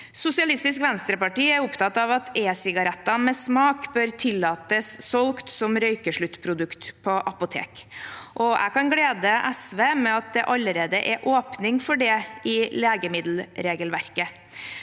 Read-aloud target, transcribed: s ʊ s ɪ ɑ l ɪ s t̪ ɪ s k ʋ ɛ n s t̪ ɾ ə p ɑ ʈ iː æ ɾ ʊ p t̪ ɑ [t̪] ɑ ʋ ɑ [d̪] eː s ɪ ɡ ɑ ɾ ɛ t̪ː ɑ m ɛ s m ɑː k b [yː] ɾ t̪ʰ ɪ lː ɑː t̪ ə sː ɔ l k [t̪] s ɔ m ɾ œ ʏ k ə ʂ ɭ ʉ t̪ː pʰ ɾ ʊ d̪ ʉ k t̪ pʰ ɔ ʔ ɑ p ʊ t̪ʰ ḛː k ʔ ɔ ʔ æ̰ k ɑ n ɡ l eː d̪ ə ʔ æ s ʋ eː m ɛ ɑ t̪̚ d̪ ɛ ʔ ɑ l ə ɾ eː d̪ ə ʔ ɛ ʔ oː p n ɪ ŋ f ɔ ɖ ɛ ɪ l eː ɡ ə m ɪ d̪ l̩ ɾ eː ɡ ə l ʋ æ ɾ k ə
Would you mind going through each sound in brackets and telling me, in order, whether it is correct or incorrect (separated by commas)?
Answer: correct, incorrect, incorrect, correct